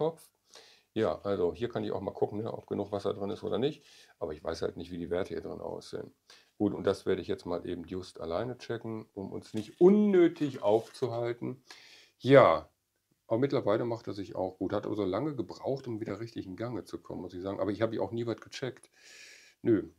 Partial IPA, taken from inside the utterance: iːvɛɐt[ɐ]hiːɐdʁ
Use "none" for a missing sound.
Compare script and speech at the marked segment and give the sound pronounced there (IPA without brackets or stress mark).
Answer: ə